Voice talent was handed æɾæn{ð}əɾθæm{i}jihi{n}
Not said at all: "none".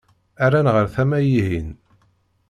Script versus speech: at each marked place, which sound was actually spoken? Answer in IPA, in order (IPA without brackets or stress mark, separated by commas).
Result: ʁ, æ, n